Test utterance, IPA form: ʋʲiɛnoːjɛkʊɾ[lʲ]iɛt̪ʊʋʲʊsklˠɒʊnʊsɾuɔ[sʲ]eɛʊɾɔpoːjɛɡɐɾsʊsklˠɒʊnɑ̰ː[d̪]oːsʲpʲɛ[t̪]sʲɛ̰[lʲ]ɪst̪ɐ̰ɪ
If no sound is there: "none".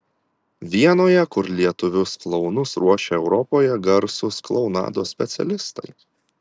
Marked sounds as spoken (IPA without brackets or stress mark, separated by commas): lʲ, ʃʲ, d̪, t̪, lʲ